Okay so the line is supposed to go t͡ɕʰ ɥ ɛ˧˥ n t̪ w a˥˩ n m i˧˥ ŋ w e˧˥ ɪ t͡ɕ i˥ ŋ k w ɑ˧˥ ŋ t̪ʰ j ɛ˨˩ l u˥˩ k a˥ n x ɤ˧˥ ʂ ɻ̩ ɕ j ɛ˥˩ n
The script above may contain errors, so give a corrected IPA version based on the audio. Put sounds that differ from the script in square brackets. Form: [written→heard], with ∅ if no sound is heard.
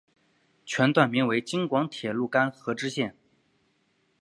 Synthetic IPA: t͡ɕʰ ɥ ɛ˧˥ n t̪ w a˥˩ n m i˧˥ ŋ w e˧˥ ɪ t͡ɕ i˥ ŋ k w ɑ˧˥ ŋ t̪ʰ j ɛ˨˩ l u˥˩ k a˥ n x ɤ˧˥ [ʂ→ʈ͡ʂ] ɻ̩ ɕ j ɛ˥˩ n